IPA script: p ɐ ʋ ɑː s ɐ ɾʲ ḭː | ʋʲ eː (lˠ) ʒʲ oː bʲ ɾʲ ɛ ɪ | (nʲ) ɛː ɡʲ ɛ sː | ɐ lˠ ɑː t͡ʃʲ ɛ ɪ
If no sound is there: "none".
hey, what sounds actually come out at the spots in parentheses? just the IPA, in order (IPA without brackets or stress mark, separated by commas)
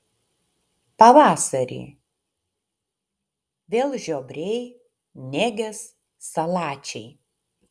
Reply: lˠ, nʲ